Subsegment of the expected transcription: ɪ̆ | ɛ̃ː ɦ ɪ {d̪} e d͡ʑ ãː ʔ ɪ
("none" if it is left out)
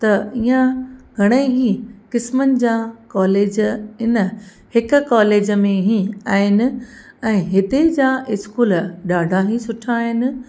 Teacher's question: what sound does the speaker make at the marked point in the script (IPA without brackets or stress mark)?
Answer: t̪